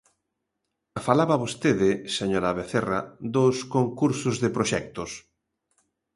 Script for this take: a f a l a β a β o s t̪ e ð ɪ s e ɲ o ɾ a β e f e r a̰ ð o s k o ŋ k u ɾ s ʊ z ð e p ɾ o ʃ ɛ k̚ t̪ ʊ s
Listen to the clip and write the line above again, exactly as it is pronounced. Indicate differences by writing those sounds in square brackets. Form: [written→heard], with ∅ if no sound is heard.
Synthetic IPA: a f a l a β a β o s t̪ e ð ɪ s e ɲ o ɾ a β e [f→θ] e r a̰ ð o s k o ŋ k u ɾ s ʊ z ð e p ɾ o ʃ ɛ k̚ t̪ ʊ s